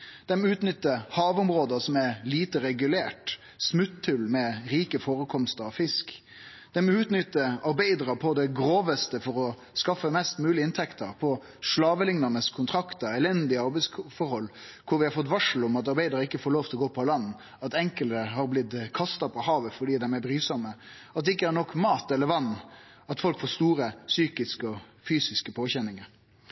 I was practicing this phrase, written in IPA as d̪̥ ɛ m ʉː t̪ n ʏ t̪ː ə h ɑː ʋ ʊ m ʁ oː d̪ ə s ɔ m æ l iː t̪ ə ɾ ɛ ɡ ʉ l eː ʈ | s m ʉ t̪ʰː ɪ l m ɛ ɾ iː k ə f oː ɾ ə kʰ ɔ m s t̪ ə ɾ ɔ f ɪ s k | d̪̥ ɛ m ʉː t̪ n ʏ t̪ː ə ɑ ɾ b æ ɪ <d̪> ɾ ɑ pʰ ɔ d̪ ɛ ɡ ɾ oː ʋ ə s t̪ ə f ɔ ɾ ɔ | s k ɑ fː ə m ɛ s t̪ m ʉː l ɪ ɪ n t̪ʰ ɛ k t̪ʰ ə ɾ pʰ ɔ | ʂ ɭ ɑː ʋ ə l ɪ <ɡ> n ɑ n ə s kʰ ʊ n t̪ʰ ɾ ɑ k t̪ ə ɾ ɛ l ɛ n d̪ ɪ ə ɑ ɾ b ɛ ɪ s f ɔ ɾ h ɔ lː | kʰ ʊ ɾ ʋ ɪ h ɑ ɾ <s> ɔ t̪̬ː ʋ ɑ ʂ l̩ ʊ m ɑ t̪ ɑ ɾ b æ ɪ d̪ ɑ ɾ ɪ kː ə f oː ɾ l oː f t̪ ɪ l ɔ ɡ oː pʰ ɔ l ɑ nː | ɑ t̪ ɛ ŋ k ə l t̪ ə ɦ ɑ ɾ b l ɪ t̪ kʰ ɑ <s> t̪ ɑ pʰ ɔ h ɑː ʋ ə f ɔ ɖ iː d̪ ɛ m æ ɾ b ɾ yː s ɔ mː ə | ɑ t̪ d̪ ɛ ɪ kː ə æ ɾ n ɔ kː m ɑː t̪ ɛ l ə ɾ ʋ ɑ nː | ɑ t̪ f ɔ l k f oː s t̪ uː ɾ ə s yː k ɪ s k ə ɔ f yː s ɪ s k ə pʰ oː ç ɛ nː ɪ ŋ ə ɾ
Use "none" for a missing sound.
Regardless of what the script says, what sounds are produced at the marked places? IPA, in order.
d̪, ŋ, f, s

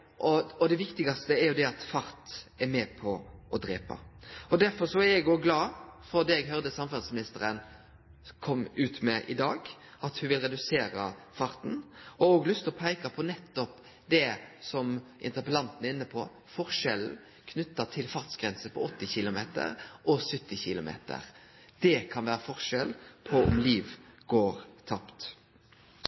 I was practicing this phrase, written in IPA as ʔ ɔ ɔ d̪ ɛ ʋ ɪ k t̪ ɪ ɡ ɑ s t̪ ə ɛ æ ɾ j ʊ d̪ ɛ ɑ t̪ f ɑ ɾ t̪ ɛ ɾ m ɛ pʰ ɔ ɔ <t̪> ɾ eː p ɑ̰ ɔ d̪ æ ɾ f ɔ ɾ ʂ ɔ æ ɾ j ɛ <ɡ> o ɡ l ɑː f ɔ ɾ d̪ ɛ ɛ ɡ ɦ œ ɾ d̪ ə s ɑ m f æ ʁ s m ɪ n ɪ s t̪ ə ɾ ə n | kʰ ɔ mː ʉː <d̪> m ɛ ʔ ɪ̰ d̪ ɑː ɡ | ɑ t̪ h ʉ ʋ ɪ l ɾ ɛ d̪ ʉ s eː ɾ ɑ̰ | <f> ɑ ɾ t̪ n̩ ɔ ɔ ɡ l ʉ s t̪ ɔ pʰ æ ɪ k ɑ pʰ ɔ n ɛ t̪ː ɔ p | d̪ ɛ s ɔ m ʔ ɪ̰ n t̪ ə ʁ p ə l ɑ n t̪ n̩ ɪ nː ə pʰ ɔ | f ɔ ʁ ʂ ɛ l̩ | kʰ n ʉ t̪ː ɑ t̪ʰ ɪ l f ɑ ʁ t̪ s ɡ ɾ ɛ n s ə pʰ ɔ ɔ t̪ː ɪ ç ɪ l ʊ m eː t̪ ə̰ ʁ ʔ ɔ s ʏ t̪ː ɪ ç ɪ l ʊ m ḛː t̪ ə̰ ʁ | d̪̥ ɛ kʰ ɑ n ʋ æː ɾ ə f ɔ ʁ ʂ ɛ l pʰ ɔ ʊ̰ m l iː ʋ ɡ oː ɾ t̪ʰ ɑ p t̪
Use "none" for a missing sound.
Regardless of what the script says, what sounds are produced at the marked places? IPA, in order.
d̪, ɡ, t̪, f

